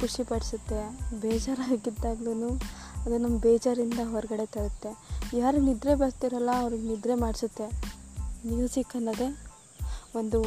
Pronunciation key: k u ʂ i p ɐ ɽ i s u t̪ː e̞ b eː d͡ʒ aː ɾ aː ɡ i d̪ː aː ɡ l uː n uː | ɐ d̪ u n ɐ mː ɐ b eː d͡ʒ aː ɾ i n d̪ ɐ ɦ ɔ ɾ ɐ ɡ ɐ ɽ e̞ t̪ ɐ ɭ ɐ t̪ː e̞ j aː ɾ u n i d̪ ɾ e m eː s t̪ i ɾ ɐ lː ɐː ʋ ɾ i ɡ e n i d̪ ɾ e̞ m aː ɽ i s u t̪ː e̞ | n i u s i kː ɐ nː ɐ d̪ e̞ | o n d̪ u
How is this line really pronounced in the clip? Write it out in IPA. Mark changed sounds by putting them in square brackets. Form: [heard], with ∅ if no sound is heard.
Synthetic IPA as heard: k u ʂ i p ɐ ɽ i s u t̪ː e̞ b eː d͡ʒ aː ɾ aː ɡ i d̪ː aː ɡ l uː n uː | ɐ d̪ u n ɐ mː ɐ b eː d͡ʒ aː ɾ i n d̪ ɐ ɦ ɔ ɾ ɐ ɡ ɐ ɽ e̞ t̪ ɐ ɭ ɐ t̪ː e̞ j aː ɾ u n i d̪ ɾ e [b] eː s t̪ i ɾ ɐ lː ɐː ʋ ɾ i ɡ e n i d̪ ɾ e̞ m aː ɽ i s u t̪ː e̞ | n i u s i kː ɐ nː ɐ d̪ e̞ | o n d̪ u